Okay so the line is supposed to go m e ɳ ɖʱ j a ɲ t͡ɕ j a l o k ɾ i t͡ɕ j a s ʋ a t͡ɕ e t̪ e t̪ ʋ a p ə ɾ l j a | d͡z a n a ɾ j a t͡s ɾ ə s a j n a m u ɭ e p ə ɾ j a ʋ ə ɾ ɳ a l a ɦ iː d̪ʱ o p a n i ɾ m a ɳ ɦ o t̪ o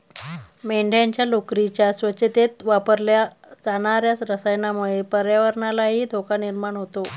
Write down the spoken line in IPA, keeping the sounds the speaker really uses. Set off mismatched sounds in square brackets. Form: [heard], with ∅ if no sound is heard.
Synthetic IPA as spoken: m e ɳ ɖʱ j a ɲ t͡ɕ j a l o k ɾ i t͡ɕ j a s ʋ [ə] t͡ɕ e t̪ e t̪ ʋ a p ə ɾ l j a | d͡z a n a ɾ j a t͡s ɾ ə s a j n a m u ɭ e p ə ɾ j a ʋ ə ɾ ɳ a l a ɦ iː d̪ʱ o [k] a n i ɾ m a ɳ ɦ o t̪ o